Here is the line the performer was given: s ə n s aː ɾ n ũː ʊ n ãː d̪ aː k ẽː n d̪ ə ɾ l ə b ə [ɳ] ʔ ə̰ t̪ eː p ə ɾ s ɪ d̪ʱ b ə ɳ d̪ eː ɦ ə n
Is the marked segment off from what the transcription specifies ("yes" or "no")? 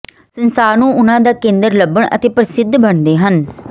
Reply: no